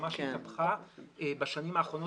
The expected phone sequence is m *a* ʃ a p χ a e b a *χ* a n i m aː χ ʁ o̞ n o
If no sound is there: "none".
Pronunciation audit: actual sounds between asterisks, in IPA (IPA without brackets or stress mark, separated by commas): a, ʃ